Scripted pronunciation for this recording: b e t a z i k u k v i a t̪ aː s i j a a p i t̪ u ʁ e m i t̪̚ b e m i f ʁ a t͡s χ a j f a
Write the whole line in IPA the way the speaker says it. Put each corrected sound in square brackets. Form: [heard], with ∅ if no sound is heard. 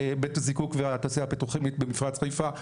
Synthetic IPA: b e t a z i k u k v [e] a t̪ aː s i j a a p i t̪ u [χ] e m i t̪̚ b e m i f ʁ a t͡s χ a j f a